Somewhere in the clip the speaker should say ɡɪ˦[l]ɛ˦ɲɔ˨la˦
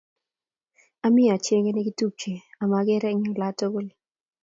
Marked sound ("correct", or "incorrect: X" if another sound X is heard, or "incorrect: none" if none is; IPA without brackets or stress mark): incorrect: ɾ